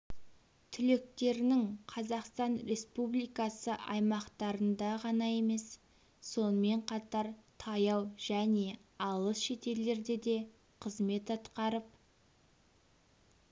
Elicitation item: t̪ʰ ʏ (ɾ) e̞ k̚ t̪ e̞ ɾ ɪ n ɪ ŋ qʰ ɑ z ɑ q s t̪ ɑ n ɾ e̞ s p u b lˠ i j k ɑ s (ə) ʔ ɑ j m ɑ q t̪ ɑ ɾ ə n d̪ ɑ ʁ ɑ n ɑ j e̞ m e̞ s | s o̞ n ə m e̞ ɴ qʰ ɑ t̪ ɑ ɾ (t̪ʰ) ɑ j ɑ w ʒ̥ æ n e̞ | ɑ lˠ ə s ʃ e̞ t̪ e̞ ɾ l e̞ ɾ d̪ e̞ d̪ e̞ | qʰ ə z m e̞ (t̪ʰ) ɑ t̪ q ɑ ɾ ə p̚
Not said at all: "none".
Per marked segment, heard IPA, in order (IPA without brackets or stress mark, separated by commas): l, ə, t̪ʰ, t̪